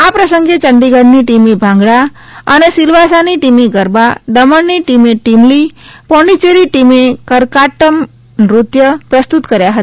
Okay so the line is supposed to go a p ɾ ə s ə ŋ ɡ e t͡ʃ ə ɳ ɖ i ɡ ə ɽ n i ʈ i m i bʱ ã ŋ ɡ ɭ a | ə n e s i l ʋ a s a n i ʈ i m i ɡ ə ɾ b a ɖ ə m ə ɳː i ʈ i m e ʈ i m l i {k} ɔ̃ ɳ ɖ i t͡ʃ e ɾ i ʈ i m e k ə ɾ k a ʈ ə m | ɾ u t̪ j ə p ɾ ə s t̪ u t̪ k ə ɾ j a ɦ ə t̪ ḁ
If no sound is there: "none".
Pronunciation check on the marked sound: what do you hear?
p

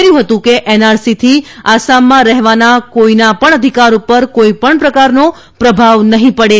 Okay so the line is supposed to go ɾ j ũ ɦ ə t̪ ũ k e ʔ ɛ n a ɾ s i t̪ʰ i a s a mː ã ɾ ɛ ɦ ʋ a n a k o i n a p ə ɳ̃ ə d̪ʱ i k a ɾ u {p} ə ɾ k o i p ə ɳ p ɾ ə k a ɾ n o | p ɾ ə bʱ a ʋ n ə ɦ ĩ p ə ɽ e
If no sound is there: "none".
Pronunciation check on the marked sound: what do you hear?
p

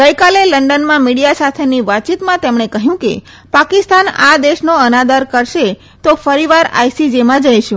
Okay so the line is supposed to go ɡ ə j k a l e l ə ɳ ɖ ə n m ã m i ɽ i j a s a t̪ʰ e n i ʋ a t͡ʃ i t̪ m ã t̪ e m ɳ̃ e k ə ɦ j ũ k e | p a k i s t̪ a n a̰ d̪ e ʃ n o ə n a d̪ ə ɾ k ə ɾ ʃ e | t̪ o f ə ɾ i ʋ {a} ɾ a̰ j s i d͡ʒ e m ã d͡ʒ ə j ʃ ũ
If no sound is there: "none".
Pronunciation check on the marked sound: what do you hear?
a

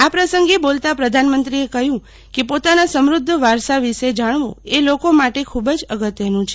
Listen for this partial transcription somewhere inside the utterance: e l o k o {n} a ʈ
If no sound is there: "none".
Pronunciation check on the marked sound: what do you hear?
m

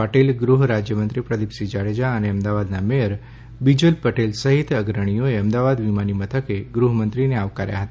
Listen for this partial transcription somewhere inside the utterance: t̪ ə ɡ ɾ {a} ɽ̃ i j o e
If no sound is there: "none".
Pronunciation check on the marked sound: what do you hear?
ə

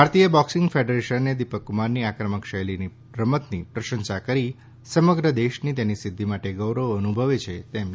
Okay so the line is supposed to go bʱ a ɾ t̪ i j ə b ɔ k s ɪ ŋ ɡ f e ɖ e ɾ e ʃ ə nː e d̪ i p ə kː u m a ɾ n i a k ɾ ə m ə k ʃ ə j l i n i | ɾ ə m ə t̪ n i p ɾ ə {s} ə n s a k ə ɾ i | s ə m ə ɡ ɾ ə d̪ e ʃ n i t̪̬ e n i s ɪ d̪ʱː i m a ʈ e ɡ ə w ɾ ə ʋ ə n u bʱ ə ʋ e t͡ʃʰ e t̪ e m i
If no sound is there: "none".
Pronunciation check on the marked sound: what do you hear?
ʃ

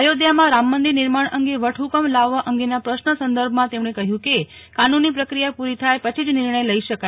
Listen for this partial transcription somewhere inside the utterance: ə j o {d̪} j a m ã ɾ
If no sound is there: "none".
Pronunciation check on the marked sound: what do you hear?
d̪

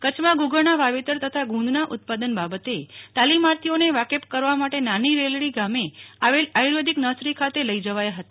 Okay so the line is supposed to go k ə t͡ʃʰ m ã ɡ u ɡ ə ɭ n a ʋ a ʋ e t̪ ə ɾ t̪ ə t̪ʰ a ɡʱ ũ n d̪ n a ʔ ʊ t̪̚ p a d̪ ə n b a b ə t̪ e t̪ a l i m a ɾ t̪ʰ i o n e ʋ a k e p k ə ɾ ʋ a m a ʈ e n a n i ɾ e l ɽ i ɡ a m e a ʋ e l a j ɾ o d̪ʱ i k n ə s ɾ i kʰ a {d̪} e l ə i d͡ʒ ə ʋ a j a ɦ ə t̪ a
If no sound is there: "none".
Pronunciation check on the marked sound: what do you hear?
t̪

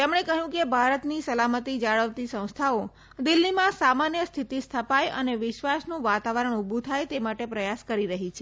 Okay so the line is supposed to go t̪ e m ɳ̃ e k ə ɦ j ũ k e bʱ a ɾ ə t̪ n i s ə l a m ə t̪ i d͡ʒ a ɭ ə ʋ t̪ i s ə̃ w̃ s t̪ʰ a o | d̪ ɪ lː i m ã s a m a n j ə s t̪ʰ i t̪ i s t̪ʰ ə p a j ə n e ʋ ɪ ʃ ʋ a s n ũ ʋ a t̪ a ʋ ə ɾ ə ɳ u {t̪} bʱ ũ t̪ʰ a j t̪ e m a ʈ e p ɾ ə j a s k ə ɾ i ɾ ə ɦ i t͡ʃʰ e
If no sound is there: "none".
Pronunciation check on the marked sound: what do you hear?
none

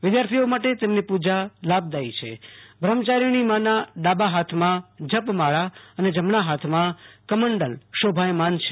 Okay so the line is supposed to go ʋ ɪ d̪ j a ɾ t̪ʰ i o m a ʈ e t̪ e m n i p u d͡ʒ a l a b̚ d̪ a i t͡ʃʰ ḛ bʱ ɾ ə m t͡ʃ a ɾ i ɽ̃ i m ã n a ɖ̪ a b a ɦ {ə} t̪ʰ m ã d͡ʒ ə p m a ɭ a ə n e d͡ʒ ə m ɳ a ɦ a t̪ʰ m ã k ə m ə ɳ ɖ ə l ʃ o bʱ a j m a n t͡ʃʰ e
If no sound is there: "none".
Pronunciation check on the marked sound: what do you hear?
a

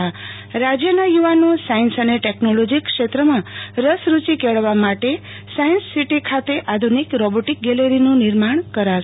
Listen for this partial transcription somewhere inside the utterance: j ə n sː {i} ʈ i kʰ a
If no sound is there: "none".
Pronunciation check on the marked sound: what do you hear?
i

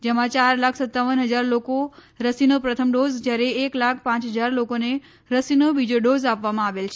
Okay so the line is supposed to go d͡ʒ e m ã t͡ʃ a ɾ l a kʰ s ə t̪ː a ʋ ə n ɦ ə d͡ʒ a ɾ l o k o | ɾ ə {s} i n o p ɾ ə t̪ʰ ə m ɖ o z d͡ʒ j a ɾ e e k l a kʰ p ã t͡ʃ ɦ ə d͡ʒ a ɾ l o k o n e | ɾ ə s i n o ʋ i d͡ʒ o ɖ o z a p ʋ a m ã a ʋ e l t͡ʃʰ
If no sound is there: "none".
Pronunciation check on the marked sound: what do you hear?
s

